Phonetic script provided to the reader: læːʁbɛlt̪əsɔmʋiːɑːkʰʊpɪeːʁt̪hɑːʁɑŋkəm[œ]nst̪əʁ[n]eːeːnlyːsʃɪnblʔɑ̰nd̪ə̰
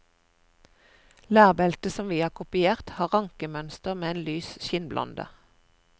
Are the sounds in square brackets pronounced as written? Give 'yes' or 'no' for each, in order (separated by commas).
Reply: yes, no